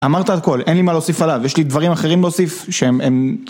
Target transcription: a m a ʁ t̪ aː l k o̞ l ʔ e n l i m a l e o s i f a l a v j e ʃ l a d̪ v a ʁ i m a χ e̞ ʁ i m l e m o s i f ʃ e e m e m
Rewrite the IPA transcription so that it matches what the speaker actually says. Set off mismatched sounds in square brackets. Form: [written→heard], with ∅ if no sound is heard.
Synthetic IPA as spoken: a m a ʁ t̪ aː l k o̞ l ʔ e n l i m a l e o s i f a l a v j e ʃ l [a→i] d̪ v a ʁ i m a χ e̞ ʁ i m l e [m→∅] o s i f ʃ e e m e m